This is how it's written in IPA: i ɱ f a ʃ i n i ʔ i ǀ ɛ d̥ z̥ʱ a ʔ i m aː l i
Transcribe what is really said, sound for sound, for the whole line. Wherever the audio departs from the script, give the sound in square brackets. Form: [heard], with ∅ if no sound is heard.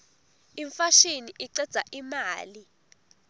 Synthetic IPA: i ɱ f a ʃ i n i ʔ i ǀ ɛ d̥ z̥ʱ a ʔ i m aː l i